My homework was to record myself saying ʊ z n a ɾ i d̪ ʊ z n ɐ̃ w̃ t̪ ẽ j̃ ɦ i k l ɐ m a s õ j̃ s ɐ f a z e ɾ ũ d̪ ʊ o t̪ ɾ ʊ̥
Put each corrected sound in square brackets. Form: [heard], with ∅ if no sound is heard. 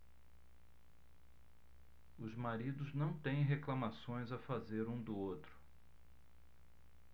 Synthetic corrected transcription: ʊ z [m] a ɾ i d̪ ʊ z n ɐ̃ w̃ t̪ ẽ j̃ ɦ [e] k l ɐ m a s õ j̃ [z] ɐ f a z e ɾ ũ d̪ ʊ o t̪ ɾ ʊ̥